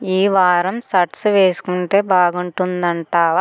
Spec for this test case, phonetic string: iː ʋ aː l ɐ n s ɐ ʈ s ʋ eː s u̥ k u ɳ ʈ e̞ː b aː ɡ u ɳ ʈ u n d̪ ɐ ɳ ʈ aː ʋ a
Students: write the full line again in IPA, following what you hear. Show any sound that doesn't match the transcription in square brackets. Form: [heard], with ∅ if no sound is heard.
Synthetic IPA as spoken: iː ʋ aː [ɾ] ɐ [m] s ɐ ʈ s ʋ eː s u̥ k u ɳ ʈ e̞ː b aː ɡ u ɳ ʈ u n d̪ ɐ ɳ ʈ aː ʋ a